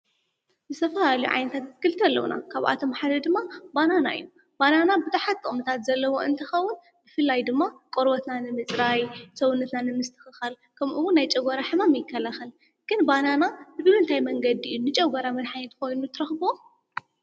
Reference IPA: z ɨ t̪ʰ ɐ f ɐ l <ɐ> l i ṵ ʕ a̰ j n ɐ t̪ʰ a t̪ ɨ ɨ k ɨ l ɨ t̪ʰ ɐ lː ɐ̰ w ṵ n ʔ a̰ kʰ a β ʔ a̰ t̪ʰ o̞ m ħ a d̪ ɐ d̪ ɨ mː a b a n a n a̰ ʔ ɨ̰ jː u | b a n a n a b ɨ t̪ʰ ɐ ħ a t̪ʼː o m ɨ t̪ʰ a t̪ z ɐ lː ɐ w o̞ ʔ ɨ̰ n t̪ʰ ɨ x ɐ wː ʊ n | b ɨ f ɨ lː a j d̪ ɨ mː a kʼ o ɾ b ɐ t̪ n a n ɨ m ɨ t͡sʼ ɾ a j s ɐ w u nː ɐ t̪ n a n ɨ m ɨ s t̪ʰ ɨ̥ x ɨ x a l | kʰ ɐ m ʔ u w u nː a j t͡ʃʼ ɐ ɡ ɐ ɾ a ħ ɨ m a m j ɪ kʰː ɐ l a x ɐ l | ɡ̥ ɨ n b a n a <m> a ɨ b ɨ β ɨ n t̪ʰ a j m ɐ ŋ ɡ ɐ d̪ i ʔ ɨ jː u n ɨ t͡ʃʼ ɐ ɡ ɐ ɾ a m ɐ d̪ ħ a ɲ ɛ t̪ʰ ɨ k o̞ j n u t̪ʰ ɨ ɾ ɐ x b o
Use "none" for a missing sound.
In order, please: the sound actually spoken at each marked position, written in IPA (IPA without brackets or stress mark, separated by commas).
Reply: a, n